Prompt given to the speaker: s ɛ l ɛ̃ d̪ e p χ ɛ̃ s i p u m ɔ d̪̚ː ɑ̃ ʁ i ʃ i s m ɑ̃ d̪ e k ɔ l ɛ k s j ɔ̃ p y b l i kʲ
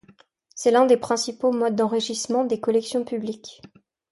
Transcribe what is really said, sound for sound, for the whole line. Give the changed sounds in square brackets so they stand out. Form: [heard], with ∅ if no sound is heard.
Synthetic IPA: s ɛ l ɛ̃ d̪ e p χ ɛ̃ s i p [o] m ɔ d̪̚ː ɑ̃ ʁ i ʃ i s m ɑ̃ d̪ e k ɔ l ɛ k s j ɔ̃ p y b l i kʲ